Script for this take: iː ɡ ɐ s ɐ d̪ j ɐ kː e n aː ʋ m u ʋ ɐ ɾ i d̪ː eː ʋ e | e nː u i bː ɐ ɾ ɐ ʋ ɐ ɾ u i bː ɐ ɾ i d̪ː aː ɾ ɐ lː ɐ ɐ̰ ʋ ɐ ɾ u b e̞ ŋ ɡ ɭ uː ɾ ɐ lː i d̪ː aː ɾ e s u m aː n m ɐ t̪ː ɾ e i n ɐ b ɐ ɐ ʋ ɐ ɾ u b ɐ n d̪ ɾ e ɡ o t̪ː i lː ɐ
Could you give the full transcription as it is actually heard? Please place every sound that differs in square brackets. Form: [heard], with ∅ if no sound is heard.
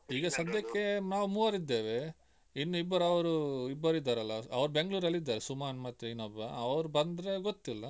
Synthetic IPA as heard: iː ɡ ɐ s ɐ d̪ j ɐ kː e n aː ʋ m u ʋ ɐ ɾ i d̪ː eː ʋ e | [i] nː u i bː ɐ ɾ ɐ ʋ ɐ ɾ u i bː ɐ ɾ i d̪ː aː ɾ ɐ lː ɐ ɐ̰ ʋ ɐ ɾ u b e̞ ŋ ɡ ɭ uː ɾ ɐ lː i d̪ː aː ɾ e s u m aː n m ɐ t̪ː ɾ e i n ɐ b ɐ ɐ ʋ ɐ ɾ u b ɐ n d̪ ɾ e ɡ o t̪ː i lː ɐ